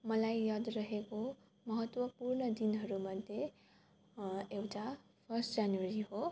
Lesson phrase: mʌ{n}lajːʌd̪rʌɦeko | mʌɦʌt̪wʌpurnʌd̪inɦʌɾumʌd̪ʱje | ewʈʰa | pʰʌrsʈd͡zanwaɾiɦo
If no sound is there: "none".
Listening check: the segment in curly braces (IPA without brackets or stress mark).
none